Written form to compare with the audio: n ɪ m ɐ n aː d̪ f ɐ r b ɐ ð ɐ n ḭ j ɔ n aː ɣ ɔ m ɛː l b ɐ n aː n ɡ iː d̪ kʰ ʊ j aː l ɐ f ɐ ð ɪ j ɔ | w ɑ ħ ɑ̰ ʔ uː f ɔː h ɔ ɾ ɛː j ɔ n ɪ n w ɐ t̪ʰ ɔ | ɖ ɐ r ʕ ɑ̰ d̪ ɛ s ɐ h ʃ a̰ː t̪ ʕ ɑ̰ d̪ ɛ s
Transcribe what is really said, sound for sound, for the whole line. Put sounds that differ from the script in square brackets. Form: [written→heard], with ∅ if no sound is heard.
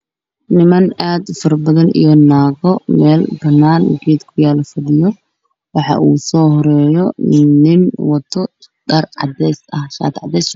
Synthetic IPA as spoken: n ɪ m ɐ n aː d̪ f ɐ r b ɐ ð ɐ n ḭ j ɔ n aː ɣ ɔ m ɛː l b ɐ n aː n ɡ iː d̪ kʰ ʊ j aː l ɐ f ɐ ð ɪ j ɔ | w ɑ ħ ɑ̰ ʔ uː [f→s] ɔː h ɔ ɾ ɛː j ɔ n ɪ n w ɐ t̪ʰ ɔ | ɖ ɐ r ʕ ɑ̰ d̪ ɛ s ɐ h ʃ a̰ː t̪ ʕ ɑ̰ d̪ ɛ s